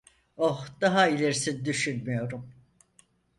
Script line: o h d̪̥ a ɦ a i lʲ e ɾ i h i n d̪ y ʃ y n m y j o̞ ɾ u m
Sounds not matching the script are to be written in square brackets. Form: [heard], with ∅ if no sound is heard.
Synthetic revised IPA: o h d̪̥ a ɦ a i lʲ e ɾ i [s] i n d̪ y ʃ y n m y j o̞ ɾ u m